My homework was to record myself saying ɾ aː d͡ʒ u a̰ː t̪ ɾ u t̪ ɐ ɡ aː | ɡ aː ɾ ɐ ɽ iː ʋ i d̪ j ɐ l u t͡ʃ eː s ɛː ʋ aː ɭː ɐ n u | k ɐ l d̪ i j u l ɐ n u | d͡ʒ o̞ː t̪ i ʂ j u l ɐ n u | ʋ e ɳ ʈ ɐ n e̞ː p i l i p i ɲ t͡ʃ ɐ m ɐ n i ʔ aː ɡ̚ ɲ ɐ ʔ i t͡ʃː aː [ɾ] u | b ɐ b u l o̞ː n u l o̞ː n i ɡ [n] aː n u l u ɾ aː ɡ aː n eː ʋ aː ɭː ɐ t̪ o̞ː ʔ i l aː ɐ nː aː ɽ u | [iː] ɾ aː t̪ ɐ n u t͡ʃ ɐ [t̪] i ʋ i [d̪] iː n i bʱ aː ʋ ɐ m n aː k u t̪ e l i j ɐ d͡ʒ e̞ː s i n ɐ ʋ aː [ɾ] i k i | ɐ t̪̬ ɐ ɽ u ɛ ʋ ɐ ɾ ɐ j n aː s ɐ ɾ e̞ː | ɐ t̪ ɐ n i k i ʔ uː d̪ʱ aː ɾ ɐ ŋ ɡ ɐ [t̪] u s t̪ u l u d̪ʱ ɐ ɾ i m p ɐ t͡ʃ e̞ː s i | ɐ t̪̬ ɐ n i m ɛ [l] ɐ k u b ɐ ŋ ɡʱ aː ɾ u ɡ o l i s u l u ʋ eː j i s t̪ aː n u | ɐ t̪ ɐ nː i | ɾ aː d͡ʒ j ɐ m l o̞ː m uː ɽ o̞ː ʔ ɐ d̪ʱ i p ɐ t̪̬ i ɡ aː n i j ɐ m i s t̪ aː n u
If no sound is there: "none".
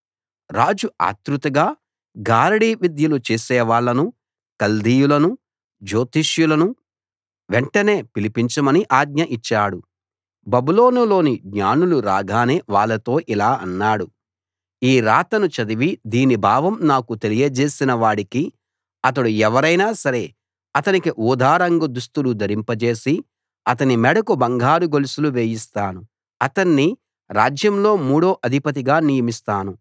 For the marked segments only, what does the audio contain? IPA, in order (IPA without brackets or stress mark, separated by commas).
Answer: ɽ, ɲ, iː, d̪, d̪, ɽ, d̪, ɽ